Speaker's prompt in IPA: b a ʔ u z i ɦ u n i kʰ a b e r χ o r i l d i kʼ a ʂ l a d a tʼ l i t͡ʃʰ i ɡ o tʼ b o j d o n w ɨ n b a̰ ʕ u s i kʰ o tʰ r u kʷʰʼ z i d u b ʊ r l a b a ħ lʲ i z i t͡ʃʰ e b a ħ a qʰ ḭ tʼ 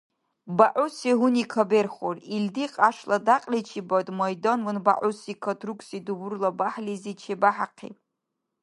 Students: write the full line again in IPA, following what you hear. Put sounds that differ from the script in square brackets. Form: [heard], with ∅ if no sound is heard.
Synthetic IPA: b a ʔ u [s] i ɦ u n i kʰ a b e r χ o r i l d i [qʼ] a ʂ l a d a [qʼ] l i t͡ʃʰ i [b] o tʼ [m] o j d o n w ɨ n b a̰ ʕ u s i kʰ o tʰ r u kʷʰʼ [s] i d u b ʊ r l a b a ħ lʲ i z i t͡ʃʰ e b a ħ a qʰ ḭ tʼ

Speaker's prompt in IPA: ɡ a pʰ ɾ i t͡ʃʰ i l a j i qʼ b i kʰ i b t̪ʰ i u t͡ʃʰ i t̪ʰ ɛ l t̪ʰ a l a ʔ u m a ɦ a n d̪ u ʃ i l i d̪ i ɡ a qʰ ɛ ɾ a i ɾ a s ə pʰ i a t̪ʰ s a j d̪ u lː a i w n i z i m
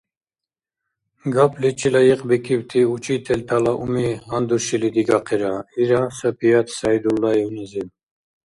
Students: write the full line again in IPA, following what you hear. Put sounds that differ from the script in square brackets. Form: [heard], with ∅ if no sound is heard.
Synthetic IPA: ɡ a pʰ [l] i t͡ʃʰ i l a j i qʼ b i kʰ i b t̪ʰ i u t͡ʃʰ i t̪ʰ ɛ l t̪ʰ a l a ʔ u m [i] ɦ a n d̪ u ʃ i l i d̪ i ɡ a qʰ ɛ ɾ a i ɾ a s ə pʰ i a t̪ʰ s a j d̪ u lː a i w n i z i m

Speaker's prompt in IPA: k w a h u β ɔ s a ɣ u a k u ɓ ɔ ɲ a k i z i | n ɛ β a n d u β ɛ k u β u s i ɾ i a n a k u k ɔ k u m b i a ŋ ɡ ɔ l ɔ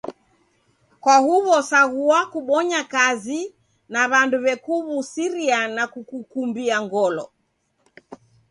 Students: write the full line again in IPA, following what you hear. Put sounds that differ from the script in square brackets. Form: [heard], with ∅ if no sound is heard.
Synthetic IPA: k w a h u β ɔ s a ɣ u a k u ɓ ɔ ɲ a k [a] z i | n [a] β a n d u β ɛ k u β u s i ɾ i a n a k u k [u] k u m b i a ŋ ɡ ɔ l ɔ

